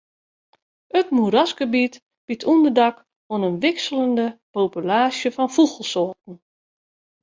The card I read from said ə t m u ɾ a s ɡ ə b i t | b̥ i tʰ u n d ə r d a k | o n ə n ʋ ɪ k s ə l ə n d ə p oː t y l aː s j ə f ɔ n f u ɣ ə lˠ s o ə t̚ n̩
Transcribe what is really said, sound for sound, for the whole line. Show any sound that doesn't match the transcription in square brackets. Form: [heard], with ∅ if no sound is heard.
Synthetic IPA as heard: ə t m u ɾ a s ɡ ə b i t | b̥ i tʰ u n d ə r d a k | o n ə n ʋ ɪ k s ə l ə n d ə p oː [p] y l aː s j ə f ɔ n f u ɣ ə lˠ s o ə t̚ n̩